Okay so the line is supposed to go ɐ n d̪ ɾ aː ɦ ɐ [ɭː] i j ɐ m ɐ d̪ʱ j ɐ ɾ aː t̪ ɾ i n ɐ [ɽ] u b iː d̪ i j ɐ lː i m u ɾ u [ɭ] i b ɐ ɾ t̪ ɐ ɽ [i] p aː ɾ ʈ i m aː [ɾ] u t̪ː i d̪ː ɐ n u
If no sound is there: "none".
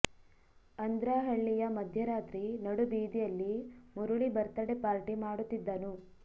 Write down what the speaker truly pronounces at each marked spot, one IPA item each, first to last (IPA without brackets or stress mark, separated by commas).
ɭː, ɽ, ɭ, e, ɽ